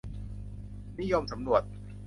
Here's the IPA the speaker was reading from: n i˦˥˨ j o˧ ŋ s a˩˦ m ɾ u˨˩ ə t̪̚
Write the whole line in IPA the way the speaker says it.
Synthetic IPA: n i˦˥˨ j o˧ m s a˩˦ m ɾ u˨˩ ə t̪̚